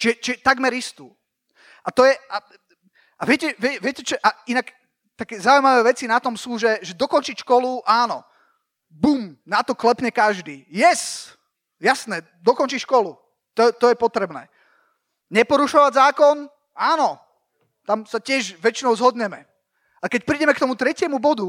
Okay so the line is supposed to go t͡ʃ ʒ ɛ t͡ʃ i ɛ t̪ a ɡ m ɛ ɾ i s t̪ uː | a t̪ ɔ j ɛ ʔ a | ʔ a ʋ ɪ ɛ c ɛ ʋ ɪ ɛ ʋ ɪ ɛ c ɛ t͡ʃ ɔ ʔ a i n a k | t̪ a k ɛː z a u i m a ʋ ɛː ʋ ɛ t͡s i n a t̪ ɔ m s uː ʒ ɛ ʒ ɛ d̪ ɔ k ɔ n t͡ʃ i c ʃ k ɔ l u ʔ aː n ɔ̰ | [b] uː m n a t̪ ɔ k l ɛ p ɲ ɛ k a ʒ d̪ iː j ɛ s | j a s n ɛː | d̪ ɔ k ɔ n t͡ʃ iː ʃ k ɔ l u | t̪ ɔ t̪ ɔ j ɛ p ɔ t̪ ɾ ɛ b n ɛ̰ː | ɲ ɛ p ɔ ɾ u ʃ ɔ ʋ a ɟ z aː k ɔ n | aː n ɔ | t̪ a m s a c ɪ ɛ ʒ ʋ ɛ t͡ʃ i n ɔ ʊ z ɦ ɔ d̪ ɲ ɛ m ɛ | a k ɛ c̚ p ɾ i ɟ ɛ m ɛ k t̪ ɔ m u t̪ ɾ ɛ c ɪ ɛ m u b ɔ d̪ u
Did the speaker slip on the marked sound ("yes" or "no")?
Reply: no